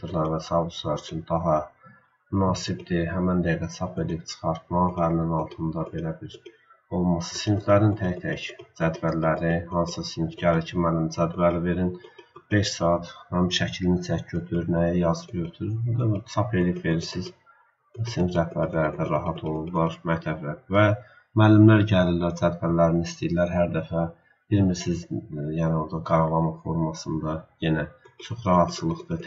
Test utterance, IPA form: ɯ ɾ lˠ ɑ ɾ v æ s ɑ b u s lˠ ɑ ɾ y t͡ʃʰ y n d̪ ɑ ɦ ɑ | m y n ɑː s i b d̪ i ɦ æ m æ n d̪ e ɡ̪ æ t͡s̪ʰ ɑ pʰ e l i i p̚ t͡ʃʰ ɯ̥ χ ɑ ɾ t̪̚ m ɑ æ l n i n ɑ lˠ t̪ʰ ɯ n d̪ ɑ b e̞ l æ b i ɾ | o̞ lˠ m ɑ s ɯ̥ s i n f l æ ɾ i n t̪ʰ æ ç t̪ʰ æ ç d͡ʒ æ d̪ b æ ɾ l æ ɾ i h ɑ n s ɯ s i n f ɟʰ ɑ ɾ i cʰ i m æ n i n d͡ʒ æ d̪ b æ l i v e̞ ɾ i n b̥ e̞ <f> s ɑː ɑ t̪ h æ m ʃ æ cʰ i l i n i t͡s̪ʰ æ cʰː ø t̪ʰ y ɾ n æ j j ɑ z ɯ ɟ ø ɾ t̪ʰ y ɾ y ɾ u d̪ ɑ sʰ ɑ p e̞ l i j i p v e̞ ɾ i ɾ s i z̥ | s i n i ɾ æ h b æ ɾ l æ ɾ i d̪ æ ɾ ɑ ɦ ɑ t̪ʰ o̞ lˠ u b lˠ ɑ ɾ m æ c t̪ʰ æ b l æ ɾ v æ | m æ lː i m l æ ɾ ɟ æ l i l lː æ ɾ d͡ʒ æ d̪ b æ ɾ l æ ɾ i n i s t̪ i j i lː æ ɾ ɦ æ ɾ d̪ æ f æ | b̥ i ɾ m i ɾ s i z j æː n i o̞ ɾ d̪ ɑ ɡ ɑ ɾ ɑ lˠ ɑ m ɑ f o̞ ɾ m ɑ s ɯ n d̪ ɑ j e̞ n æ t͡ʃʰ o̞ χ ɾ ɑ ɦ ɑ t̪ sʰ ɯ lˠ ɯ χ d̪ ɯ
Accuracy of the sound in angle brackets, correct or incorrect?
incorrect